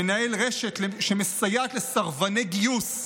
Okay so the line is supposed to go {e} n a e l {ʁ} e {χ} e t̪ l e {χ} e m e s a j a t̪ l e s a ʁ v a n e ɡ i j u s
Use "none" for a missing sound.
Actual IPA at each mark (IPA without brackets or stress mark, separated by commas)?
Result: e, ʁ, ʃ, ʃ